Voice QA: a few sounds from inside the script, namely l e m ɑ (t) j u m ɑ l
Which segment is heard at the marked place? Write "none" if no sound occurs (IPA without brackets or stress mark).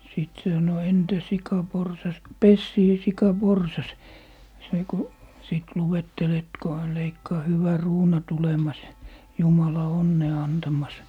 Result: s